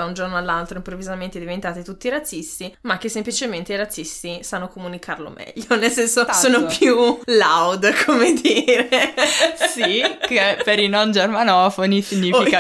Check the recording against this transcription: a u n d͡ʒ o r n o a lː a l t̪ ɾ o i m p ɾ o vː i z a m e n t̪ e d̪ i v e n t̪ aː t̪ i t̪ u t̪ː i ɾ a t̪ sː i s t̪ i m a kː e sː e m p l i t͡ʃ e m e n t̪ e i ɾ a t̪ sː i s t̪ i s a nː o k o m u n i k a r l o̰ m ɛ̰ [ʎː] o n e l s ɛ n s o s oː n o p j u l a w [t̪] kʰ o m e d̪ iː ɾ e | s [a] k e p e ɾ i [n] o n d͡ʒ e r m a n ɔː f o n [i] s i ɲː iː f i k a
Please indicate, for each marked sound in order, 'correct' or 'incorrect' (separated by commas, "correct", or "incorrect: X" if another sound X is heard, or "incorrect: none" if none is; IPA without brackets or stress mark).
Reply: correct, incorrect: d̪, incorrect: i, correct, correct